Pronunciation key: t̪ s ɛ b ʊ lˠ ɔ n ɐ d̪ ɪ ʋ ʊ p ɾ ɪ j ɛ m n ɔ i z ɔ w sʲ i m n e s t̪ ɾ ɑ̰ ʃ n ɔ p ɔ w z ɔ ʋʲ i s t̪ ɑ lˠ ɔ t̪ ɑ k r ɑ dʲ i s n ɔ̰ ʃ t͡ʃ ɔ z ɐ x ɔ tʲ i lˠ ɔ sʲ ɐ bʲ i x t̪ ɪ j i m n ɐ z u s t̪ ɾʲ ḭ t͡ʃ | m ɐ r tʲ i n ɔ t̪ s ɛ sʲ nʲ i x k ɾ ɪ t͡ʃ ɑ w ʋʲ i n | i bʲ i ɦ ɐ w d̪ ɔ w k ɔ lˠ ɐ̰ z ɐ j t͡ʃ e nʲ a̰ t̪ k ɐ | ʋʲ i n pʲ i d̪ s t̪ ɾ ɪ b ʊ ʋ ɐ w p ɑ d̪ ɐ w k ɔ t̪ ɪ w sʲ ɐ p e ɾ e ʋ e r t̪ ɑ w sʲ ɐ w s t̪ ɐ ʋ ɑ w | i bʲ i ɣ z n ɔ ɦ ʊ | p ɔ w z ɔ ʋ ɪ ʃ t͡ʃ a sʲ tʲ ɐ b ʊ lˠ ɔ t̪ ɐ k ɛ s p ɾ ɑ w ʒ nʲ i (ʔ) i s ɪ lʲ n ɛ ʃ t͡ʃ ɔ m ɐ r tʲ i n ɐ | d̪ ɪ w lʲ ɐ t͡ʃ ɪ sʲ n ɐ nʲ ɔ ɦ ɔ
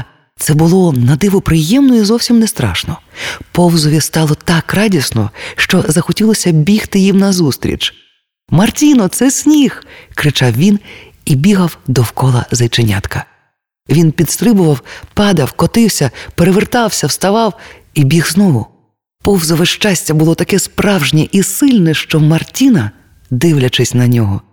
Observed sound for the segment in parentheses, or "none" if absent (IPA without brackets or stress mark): ʔ